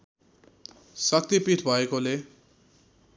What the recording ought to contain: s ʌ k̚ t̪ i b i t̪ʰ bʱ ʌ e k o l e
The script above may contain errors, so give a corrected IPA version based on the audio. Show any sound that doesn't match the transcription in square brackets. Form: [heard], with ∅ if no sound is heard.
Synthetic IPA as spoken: s ʌ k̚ t̪ i [p] i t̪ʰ bʱ ʌ e k o l e